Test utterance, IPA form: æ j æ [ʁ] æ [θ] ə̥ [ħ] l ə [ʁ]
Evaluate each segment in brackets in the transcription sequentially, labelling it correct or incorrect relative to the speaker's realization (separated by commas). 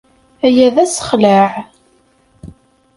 incorrect, incorrect, incorrect, incorrect